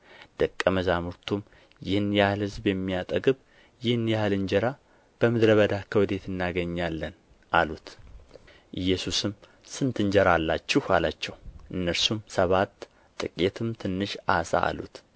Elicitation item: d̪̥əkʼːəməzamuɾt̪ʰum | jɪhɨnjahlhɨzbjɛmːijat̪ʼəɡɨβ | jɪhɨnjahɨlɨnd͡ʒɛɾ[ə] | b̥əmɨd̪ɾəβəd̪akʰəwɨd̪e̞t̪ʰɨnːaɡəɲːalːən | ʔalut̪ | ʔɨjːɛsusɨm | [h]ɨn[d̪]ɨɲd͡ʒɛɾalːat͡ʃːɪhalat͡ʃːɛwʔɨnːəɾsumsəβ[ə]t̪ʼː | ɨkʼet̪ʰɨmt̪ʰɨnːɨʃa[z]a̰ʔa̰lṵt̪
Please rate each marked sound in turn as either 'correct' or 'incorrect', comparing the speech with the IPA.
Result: incorrect: a, incorrect: s, incorrect: t̪, incorrect: a, incorrect: s

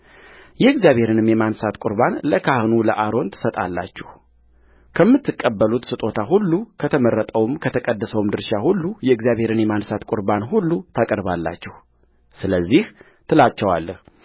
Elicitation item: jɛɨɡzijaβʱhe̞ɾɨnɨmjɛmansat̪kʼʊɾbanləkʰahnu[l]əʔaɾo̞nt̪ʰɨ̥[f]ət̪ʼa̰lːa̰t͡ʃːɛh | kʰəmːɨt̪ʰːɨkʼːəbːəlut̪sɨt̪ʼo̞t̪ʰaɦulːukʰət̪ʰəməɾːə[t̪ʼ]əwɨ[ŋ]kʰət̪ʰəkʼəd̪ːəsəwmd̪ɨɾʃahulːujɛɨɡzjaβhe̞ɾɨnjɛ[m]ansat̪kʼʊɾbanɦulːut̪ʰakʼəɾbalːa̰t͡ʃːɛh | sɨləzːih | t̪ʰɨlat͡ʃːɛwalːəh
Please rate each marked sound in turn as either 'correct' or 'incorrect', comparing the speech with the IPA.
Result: correct, incorrect: s, correct, incorrect: m, correct

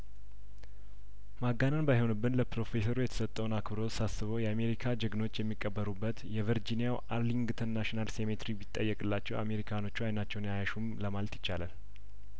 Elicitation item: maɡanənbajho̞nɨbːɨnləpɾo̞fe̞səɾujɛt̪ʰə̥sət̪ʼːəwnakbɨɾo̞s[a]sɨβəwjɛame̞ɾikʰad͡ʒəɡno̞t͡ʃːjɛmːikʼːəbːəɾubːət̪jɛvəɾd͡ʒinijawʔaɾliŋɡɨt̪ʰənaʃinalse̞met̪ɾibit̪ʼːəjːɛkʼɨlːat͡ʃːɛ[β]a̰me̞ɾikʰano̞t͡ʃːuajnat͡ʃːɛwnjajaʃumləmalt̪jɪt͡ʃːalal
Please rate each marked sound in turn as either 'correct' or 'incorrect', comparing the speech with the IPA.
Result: correct, incorrect: w

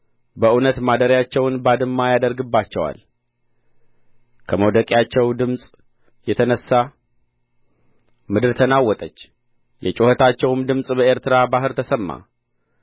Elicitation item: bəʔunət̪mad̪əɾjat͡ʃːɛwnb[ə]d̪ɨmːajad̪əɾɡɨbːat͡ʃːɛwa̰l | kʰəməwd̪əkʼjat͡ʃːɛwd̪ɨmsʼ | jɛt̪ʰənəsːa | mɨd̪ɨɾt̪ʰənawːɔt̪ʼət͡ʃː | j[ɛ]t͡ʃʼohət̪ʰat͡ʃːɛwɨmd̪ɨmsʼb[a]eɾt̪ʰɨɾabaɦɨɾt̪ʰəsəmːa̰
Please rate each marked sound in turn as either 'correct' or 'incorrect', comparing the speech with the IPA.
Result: incorrect: a, correct, incorrect: ə

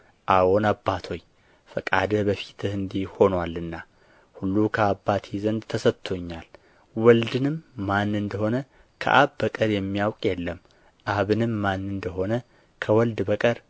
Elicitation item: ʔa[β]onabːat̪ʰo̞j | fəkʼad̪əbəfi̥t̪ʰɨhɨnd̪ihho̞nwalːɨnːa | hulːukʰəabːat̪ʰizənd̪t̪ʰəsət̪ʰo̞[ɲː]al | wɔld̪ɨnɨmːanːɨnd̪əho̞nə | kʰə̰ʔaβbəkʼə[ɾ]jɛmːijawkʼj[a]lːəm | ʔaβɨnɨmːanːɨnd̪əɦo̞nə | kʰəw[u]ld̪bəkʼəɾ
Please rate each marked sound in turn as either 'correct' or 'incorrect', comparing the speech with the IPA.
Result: incorrect: w, correct, correct, incorrect: ɛ, incorrect: ɔ

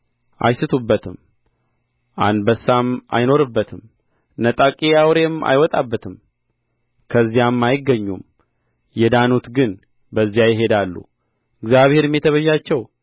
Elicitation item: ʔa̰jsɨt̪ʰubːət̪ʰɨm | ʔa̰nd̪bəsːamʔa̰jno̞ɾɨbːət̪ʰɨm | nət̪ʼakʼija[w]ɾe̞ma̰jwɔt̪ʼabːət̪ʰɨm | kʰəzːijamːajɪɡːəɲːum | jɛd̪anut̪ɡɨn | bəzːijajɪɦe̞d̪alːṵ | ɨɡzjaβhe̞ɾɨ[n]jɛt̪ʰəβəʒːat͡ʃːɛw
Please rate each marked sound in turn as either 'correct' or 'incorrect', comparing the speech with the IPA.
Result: correct, incorrect: m

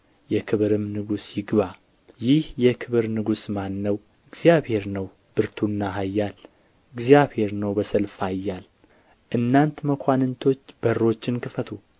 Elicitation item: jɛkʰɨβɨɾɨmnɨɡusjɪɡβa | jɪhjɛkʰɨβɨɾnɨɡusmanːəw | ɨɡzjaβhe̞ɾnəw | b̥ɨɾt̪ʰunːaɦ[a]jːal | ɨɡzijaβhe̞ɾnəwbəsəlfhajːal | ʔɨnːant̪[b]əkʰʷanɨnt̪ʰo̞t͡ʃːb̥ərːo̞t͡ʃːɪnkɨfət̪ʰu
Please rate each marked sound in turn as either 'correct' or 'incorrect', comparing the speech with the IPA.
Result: correct, incorrect: m

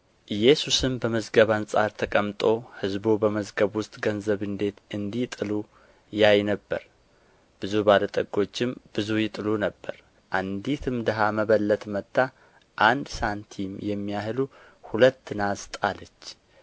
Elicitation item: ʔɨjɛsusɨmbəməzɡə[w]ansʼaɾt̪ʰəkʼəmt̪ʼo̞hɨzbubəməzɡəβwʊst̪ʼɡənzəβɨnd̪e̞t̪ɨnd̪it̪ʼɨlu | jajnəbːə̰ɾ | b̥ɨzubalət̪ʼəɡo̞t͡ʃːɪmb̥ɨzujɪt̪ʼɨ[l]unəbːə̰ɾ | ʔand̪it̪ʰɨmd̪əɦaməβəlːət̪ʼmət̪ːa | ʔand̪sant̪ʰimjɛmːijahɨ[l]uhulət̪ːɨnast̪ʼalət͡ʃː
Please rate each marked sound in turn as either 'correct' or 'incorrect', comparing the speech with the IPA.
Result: incorrect: β, correct, correct

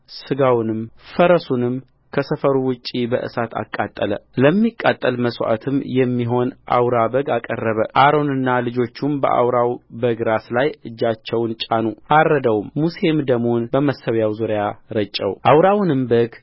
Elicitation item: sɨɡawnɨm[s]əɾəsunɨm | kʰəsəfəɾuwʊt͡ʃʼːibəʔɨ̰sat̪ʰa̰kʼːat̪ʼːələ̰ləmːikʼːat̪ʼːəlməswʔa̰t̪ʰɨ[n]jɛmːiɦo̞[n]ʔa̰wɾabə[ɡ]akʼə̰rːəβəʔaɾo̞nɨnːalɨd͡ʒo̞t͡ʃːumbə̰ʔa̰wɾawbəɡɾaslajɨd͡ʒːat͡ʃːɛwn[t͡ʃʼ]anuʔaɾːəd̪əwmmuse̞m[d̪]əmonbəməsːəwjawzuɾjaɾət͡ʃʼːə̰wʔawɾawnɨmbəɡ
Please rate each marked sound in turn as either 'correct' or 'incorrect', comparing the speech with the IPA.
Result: incorrect: f, incorrect: m, correct, correct, correct, correct

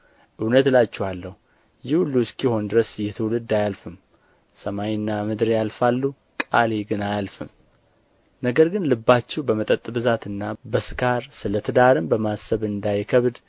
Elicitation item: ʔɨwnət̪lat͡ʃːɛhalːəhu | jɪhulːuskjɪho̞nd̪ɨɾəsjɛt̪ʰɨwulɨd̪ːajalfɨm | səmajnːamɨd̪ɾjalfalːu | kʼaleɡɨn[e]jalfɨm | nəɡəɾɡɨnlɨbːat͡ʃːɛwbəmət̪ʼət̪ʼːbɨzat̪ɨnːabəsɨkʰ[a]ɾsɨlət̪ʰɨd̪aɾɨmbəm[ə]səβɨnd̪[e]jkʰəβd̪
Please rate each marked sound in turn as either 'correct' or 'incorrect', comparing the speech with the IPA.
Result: incorrect: a, correct, incorrect: a, incorrect: a

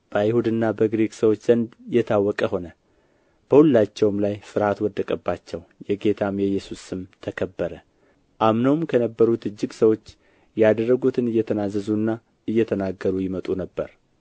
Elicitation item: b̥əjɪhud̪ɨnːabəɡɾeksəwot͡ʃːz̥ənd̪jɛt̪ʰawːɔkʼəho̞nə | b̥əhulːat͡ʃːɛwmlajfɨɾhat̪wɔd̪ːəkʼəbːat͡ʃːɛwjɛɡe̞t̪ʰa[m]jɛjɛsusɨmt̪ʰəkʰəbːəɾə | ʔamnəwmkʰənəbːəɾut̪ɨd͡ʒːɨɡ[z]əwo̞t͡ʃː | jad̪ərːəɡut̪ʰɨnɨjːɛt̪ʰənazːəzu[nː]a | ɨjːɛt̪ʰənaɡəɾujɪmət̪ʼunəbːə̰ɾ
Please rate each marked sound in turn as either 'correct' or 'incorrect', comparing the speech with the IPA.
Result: correct, incorrect: s, correct

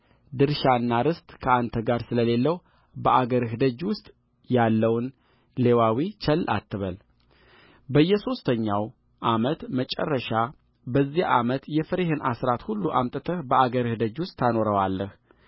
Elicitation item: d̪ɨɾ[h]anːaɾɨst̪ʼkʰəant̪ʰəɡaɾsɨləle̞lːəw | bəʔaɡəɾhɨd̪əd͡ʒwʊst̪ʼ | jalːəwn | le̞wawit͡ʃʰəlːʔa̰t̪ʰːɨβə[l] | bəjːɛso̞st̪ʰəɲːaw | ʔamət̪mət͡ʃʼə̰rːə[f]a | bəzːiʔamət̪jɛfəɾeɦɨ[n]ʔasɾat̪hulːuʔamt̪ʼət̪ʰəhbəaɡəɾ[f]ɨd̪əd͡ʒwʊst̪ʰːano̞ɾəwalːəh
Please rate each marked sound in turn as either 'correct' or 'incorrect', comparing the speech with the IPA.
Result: incorrect: ʃ, correct, incorrect: ʃ, correct, incorrect: h

